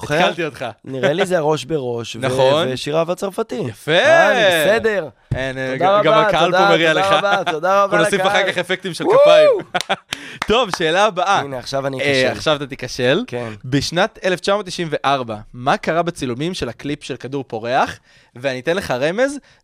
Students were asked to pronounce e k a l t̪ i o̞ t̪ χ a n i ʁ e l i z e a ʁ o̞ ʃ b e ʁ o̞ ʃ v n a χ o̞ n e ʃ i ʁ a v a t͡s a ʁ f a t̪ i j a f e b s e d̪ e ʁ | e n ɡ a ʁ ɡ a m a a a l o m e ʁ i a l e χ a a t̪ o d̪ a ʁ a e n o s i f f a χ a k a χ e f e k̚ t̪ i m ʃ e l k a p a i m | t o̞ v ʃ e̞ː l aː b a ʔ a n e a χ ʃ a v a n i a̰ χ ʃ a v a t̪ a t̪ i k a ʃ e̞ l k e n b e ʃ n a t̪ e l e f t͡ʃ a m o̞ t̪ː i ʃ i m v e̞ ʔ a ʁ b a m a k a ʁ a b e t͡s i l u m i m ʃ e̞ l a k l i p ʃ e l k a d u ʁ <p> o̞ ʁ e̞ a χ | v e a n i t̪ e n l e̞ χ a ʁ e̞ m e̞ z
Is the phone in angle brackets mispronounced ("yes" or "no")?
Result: no